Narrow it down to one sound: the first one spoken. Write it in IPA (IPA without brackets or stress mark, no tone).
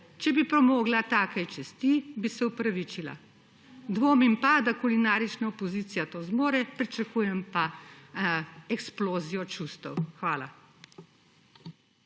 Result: t͡ʃ